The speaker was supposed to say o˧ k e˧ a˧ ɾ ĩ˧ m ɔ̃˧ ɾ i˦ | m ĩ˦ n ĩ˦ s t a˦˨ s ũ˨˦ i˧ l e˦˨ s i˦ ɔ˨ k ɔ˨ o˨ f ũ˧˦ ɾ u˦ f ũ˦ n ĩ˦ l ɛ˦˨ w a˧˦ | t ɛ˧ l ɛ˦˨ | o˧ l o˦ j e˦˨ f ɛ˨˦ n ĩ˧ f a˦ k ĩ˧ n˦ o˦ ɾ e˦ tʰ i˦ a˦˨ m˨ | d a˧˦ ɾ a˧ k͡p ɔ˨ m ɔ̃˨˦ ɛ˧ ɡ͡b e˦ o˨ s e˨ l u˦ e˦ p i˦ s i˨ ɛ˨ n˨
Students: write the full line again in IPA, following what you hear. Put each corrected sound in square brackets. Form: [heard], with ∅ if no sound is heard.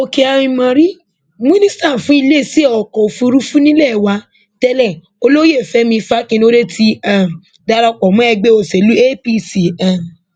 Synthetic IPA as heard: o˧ k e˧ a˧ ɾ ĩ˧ m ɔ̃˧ ɾ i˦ | m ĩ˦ n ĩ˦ s t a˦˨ [f] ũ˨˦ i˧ l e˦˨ s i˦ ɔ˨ k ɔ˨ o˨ f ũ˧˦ ɾ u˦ f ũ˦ n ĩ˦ l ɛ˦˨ w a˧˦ | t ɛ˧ l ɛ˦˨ | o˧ l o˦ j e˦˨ f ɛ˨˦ [m] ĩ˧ f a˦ k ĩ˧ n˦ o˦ ɾ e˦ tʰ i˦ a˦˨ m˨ | d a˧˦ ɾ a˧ k͡p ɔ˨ m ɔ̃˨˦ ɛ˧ ɡ͡b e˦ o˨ s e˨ l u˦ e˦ p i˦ s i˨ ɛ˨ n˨